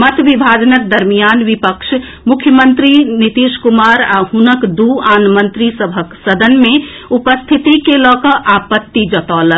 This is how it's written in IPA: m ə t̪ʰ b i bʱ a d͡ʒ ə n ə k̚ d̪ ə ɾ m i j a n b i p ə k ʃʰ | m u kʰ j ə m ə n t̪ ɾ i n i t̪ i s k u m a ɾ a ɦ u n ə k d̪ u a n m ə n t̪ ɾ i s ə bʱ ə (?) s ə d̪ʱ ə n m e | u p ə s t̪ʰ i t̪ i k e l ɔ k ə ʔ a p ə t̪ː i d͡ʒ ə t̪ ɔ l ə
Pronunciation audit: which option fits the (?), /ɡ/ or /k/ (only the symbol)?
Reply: k